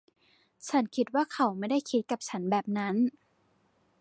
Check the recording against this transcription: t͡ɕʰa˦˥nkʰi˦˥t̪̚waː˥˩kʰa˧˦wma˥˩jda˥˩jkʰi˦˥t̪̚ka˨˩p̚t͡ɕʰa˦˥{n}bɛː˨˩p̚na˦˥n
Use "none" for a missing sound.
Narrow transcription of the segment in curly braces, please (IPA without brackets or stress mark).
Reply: n